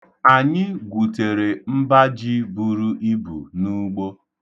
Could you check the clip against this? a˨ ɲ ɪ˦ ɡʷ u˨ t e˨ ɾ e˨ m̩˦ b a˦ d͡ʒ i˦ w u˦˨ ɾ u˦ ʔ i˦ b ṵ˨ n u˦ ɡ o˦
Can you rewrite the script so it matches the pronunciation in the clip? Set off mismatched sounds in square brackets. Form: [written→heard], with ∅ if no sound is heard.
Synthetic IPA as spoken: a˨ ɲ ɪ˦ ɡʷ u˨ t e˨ ɾ e˨ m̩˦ b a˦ d͡ʒ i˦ [w→b] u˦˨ ɾ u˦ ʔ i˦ b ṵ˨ n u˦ [ɡ→ɡ͡b] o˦

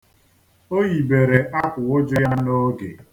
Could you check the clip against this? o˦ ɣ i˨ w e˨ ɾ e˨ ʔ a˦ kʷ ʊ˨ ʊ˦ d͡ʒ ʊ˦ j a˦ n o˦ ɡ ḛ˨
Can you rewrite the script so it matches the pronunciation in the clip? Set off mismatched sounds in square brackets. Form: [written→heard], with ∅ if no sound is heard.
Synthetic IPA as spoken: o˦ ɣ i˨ [w→b] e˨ ɾ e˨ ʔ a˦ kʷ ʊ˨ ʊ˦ d͡ʒ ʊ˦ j a˦ n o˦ ɡ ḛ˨

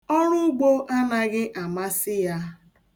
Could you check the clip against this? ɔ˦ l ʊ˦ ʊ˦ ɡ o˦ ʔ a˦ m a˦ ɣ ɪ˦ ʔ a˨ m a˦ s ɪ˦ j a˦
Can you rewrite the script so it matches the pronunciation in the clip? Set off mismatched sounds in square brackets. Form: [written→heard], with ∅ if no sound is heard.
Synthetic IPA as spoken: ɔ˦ [l→ɾ] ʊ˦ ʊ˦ [ɡ→ɡ͡b] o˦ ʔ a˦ [m→n] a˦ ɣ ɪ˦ ʔ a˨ m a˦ s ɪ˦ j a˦

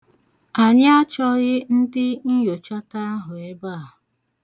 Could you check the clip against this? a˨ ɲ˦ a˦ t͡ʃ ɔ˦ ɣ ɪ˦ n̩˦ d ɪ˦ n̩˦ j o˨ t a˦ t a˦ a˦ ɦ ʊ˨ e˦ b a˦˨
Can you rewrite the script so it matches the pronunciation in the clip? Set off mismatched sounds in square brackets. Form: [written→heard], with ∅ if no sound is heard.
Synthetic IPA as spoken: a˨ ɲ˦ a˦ t͡ʃ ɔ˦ ɣ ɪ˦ n̩˦ d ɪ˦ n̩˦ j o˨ [t→t͡ʃ] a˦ t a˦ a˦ ɦ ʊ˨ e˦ b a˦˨

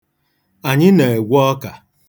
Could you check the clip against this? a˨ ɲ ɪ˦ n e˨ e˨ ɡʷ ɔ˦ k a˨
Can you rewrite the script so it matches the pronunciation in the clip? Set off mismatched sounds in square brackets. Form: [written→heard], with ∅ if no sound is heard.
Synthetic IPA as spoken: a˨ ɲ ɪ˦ n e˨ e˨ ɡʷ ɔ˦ k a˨

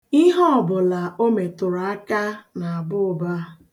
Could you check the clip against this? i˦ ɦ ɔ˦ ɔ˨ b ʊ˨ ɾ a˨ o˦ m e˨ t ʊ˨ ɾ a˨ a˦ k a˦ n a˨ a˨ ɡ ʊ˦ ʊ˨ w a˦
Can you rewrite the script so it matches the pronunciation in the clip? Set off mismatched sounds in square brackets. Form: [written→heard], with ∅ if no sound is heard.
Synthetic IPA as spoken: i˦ ɦ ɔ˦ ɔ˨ b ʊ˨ [ɾ→l] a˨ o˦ m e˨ t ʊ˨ ɾ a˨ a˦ k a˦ n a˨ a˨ [ɡ→b] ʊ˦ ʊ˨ [w→b] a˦

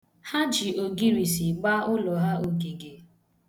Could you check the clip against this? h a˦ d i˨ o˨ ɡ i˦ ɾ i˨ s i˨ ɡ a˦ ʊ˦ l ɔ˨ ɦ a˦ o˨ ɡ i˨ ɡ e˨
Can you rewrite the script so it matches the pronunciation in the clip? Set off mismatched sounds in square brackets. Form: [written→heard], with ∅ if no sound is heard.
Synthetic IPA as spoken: h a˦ [d→d͡ʒ] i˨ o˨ ɡ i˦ ɾ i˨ s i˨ [ɡ→ɡ͡b] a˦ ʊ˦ l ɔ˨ ɦ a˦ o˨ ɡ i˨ ɡ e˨

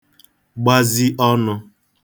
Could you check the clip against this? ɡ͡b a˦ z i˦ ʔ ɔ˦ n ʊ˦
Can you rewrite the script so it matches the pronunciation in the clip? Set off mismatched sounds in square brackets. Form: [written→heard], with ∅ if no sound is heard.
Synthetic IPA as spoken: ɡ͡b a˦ z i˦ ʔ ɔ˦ n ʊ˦

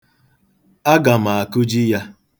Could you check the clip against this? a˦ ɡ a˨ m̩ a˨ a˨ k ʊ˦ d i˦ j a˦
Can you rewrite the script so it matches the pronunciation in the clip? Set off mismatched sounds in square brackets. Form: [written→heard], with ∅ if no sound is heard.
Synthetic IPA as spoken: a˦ ɡ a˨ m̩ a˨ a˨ k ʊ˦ [d→d͡ʒ] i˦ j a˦

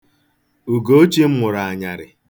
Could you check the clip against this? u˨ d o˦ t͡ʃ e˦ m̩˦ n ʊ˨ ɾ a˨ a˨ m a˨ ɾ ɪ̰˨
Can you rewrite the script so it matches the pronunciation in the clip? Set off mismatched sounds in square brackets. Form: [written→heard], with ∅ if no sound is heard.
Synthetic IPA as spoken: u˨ [d→ɡ] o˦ t͡ʃ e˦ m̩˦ [n→m] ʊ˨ ɾ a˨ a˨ [m→ɲ] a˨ ɾ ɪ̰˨

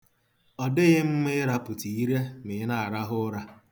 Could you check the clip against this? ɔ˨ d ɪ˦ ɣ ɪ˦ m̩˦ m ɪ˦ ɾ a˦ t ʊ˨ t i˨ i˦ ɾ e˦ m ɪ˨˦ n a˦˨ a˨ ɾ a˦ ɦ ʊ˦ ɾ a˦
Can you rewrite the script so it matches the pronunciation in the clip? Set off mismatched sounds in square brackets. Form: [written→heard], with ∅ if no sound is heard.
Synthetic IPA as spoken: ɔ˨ d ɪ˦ ɣ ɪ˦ m̩˦ m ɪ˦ ɾ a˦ [t→p] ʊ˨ t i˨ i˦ ɾ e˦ m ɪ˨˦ n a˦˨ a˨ ɾ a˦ ɦ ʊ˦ ɾ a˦

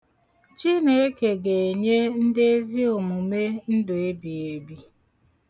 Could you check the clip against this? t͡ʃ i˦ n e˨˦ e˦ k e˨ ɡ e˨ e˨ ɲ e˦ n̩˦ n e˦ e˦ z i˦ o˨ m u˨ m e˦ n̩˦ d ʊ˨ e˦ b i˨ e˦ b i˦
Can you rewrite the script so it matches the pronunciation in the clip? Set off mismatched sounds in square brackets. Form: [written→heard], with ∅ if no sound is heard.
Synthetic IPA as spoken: t͡ʃ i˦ n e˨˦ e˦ k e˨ ɡ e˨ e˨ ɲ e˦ n̩˦ [n→d] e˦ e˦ z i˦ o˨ m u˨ m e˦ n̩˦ d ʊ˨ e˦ b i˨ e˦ b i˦

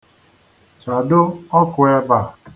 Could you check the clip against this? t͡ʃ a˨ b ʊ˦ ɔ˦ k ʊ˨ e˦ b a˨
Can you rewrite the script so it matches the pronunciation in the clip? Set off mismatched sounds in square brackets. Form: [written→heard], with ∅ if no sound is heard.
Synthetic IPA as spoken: t͡ʃ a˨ [b→d] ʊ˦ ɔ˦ k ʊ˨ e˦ b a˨

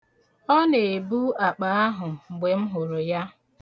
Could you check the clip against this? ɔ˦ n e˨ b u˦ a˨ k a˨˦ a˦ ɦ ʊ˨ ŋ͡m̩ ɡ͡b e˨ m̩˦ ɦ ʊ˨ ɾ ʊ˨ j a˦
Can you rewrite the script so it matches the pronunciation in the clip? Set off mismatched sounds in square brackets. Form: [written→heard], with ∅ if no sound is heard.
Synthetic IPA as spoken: ɔ˦ n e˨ b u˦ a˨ [k→k͡p] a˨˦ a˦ ɦ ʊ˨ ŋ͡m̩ ɡ͡b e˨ m̩˦ ɦ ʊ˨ ɾ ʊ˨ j a˦

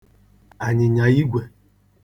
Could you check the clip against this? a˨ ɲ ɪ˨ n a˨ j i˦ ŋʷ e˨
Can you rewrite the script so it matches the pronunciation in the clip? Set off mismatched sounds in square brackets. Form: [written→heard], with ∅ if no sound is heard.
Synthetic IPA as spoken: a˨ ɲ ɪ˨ [n→ɲ] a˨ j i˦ [ŋʷ→ɡʷ] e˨

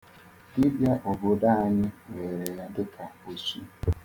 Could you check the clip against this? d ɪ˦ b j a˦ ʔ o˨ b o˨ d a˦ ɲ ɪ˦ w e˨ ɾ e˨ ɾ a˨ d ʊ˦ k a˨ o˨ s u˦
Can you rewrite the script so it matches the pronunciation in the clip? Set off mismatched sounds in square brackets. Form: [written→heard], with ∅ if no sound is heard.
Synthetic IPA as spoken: d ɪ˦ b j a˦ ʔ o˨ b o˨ d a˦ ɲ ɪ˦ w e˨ ɾ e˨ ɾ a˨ d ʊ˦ k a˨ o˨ s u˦

